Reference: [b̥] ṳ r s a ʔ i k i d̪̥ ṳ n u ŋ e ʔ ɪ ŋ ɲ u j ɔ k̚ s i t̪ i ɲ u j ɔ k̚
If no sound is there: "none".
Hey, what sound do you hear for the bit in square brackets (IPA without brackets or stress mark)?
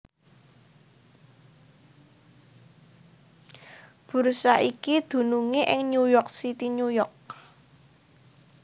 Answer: b̥